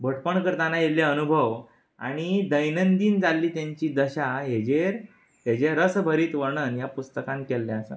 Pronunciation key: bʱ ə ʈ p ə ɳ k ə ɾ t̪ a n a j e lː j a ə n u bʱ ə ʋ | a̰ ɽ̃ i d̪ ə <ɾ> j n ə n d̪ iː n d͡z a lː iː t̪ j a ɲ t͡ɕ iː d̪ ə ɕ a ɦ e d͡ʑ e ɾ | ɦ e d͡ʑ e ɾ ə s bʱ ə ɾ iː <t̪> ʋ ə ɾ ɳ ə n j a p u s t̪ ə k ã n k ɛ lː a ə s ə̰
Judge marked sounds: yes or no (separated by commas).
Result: no, yes